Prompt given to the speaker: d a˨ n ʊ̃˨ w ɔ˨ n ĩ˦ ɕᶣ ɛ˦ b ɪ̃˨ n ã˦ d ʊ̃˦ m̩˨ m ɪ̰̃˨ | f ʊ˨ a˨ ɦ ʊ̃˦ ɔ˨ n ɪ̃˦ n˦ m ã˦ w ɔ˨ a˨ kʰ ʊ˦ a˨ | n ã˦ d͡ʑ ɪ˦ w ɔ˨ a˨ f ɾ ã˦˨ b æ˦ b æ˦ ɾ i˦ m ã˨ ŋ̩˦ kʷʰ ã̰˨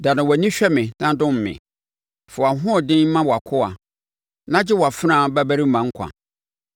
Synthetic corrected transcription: d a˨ n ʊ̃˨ w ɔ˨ n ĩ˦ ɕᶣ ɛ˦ m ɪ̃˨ n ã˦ d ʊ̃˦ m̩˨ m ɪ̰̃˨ | f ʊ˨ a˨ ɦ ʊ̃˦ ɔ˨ d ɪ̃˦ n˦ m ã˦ w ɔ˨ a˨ kʰ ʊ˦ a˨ | n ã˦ d͡ʑ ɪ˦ w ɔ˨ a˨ f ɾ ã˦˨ b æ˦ b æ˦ ɾ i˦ m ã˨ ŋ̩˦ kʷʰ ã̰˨